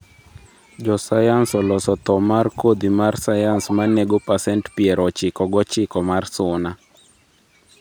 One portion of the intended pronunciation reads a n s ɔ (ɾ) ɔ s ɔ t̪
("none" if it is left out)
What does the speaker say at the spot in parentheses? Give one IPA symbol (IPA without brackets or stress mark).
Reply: l